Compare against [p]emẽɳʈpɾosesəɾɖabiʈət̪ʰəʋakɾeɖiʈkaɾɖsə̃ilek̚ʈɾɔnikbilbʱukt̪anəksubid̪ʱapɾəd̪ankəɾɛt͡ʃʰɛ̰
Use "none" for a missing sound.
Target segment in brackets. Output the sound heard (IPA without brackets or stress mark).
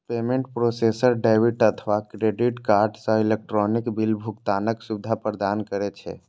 p